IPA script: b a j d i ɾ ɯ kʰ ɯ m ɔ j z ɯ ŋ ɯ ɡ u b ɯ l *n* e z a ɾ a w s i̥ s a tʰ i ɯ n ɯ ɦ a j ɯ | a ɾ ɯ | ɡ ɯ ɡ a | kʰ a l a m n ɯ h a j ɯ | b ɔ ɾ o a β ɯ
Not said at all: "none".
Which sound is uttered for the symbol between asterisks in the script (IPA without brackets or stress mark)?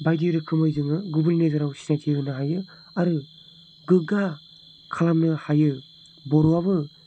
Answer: n